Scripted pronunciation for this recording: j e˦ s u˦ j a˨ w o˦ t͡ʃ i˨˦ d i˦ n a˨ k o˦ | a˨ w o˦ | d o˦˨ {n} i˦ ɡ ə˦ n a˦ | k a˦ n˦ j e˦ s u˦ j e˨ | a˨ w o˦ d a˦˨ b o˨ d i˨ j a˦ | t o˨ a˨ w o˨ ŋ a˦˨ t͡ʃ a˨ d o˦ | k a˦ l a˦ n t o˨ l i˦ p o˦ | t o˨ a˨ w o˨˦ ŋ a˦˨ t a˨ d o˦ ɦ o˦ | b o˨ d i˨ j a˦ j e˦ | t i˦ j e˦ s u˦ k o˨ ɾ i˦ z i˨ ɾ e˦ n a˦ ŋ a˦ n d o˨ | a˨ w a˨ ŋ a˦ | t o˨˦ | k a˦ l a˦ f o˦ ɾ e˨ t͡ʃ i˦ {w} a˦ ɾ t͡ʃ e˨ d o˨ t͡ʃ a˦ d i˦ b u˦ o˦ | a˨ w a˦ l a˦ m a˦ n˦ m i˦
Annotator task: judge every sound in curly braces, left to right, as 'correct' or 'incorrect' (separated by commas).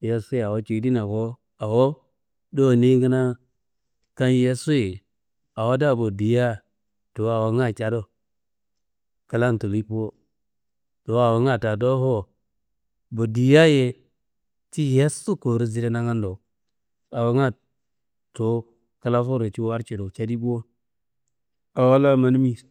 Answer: correct, correct